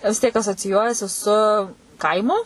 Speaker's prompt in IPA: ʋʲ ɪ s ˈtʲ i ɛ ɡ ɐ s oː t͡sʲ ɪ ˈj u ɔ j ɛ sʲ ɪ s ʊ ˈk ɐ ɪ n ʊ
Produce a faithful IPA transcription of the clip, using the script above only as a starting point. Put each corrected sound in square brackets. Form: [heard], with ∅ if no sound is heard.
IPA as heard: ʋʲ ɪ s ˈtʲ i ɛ [k] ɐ s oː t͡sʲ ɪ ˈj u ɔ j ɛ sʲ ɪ s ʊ ˈk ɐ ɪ [m] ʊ